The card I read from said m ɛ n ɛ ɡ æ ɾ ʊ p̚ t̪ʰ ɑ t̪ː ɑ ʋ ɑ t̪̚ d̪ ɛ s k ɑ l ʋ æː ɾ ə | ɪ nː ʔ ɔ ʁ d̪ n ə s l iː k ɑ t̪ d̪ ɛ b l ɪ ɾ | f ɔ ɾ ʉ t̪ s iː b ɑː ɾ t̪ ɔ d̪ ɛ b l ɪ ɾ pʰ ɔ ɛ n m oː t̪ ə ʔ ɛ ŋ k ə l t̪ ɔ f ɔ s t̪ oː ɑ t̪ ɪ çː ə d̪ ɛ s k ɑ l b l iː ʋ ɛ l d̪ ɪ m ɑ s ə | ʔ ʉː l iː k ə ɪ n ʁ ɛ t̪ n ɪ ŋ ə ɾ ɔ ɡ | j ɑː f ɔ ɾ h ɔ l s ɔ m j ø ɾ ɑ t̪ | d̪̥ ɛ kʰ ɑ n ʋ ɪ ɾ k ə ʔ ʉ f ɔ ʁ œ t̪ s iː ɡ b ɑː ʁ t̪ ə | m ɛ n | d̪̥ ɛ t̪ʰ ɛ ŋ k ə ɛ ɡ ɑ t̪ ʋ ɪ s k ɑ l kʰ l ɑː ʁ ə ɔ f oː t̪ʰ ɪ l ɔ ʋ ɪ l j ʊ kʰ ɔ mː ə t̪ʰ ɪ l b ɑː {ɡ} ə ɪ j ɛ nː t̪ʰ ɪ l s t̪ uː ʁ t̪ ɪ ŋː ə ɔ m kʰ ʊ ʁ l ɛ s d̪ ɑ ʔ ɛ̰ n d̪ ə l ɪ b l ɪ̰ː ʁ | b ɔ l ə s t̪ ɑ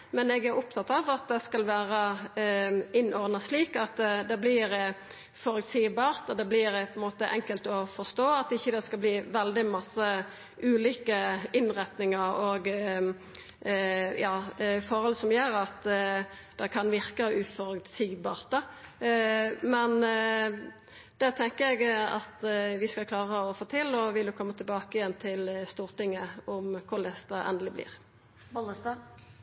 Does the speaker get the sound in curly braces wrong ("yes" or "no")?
yes